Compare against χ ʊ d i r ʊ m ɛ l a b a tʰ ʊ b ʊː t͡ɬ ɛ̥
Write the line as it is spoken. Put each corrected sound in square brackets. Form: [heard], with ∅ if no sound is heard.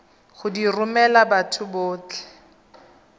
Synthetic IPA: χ ʊ d i r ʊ m ɛ l a b a tʰ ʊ b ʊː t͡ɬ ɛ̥